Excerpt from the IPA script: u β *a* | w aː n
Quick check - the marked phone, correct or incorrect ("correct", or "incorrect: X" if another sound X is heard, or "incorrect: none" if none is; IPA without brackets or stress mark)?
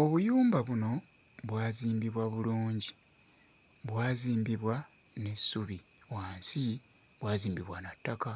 incorrect: i